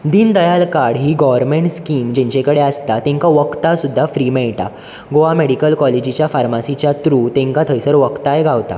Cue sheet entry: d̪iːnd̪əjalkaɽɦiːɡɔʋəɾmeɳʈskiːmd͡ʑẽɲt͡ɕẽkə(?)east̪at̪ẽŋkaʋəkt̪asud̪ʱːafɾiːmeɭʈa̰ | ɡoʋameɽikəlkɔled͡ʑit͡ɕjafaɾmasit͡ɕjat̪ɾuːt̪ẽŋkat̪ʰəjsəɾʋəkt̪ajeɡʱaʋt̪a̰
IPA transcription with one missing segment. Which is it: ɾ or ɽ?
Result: ɽ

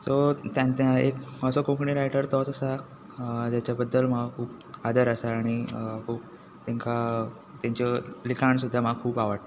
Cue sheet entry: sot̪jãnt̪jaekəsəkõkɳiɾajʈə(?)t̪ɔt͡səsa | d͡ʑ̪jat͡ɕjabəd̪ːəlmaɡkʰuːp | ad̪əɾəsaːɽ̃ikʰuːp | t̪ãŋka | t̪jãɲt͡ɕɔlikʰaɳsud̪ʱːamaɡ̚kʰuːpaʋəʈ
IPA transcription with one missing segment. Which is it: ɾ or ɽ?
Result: ɾ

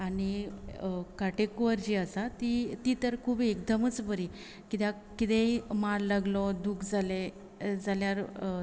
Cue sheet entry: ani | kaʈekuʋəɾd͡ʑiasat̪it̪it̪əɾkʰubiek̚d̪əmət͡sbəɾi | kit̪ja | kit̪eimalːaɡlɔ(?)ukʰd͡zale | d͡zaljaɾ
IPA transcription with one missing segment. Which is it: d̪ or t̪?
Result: d̪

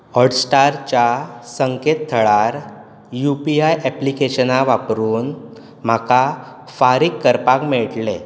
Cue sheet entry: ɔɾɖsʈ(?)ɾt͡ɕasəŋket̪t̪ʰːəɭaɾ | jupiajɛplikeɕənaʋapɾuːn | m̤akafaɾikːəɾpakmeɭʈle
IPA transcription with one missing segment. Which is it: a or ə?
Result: a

